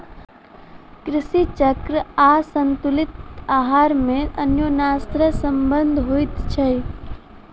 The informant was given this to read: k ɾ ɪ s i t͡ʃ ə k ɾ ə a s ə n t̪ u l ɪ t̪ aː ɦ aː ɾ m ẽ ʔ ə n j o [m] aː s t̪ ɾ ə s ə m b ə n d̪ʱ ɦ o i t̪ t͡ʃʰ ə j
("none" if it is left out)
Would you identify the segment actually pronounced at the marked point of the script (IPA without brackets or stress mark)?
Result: n